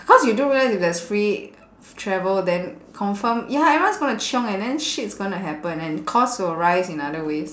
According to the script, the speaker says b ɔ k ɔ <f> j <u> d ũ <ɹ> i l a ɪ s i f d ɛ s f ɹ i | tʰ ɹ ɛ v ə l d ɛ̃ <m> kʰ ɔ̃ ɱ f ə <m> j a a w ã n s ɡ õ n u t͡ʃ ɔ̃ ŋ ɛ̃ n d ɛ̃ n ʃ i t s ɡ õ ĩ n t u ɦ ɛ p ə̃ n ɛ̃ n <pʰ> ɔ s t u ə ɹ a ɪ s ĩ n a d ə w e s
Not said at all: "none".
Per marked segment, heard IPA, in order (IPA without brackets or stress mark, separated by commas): s, u, ɹ, n, m, kʰ